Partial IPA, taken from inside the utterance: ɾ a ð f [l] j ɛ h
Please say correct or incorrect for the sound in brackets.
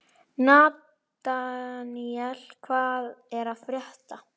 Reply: incorrect